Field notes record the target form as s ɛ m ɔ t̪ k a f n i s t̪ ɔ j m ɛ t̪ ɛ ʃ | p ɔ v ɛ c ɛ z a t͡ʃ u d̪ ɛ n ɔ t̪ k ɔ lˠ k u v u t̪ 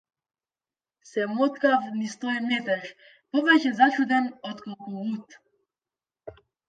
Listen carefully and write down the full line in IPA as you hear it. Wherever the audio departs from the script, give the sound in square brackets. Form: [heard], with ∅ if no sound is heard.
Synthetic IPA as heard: s ɛ m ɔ t̪ k a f n i s t̪ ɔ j m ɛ t̪ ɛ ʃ | p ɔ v ɛ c ɛ z a t͡ʃ u d̪ ɛ n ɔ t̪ k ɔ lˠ k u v u t̪